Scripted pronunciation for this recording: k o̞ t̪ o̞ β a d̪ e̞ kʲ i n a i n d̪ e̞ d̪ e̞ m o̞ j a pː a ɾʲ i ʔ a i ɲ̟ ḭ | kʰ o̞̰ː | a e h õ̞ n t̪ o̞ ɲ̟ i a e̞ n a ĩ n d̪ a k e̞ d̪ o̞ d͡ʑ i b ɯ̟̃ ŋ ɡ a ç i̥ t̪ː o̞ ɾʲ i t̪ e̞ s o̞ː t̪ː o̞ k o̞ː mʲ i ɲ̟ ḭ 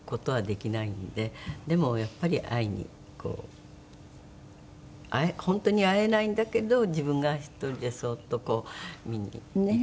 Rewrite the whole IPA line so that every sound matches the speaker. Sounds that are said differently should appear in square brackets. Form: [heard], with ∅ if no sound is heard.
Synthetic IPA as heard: k o̞ t̪ o̞ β a d̪ e̞ kʲ i n a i n d̪ e̞ d̪ e̞ m o̞ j a pː a ɾʲ i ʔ a i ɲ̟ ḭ | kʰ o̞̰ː | a e h õ̞ n t̪ o̞ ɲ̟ i a e̞ n a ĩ n d̪ a k e̞ d̪ o̞ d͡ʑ i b ɯ̟̃ ŋ ɡ a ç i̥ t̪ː o̞ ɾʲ i [d̪] e̞ s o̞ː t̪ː o̞ k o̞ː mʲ i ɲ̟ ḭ